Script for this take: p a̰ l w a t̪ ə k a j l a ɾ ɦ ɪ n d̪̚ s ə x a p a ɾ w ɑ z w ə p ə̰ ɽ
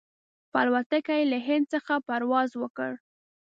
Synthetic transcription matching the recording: p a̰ l w a t̪ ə k a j l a ɦ ɪ n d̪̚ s ə x a p a ɾ w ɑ z w ə k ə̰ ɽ